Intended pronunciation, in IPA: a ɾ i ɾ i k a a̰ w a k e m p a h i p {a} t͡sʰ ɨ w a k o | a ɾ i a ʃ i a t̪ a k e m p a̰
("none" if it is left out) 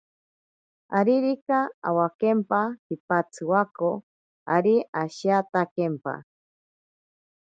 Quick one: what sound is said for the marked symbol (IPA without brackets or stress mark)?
a